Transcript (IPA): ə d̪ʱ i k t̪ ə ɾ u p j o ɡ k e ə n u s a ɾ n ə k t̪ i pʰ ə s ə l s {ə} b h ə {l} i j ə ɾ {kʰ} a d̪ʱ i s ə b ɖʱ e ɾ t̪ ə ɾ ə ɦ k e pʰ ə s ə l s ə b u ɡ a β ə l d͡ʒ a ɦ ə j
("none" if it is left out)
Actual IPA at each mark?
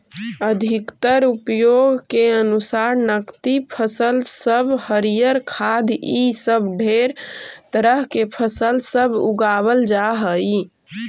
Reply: ə, ɾ, kʰ

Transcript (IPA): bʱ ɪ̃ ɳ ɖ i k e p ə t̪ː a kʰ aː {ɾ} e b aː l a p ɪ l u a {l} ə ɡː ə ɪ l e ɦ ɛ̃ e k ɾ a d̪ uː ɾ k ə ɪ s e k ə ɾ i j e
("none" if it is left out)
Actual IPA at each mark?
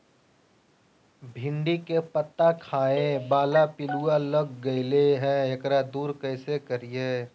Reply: none, l

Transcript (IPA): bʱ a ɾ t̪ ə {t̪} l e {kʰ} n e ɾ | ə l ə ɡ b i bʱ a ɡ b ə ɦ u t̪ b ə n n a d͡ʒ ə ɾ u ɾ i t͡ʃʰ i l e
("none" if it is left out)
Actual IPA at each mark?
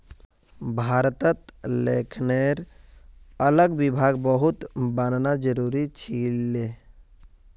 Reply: t̪, kʰ

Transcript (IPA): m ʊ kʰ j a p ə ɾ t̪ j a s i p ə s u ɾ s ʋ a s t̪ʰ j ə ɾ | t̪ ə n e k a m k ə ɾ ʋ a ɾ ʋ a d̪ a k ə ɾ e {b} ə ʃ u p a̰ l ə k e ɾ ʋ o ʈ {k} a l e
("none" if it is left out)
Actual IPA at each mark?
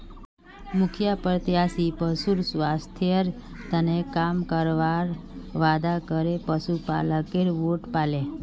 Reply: p, p

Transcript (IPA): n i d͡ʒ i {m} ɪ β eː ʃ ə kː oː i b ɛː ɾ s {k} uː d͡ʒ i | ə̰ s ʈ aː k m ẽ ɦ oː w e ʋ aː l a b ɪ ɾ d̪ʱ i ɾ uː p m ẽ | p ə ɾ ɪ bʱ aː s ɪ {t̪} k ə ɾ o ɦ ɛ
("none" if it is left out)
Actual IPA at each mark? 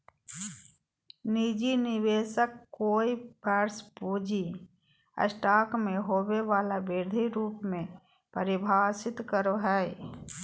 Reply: n, p, t̪

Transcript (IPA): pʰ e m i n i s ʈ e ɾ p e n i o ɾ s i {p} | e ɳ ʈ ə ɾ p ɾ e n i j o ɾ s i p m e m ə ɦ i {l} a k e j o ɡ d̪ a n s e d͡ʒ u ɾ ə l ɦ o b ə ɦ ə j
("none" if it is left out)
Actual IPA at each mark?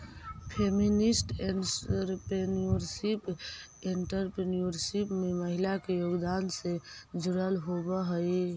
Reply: p, l

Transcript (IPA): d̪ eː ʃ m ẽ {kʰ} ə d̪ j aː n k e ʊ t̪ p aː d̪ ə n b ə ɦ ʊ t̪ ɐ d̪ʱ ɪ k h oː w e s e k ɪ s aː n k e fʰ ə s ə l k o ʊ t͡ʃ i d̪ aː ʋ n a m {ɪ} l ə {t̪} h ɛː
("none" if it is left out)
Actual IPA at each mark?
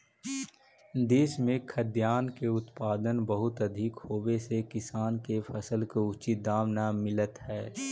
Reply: kʰ, ɪ, t̪

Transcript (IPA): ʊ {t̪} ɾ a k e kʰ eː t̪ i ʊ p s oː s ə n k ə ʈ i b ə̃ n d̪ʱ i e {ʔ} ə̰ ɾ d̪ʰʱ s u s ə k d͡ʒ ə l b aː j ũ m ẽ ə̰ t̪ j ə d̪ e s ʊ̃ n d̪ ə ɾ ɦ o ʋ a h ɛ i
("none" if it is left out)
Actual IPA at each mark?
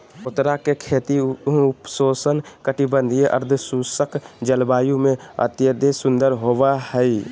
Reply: t̪, ʔ

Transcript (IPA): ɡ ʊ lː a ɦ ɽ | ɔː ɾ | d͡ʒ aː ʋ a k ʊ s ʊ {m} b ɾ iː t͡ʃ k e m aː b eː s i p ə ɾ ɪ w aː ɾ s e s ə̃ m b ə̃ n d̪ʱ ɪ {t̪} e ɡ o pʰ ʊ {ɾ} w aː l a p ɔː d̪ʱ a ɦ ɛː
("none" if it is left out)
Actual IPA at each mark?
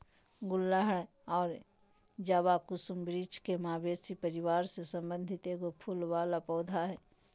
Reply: m, t̪, l

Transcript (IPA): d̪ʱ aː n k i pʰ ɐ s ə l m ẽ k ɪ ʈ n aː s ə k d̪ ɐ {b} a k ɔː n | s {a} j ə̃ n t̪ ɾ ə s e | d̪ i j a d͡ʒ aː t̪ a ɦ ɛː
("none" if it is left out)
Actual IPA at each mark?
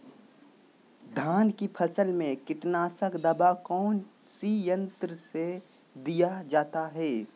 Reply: b, i

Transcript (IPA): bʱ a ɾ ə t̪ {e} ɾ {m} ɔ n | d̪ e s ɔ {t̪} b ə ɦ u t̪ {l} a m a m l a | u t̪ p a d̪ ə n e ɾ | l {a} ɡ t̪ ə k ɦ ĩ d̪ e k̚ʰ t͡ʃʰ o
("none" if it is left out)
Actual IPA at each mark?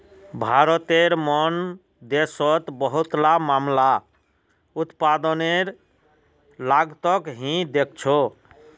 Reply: e, m, t̪, l, a

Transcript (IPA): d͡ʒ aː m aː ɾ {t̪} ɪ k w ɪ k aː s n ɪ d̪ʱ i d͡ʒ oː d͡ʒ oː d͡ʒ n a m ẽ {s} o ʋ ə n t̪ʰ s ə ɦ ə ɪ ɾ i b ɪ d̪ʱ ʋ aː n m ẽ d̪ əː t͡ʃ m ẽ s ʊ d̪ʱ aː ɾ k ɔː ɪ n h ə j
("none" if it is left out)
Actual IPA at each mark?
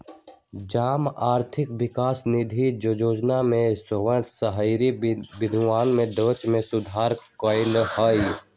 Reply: t̪ʰ, s

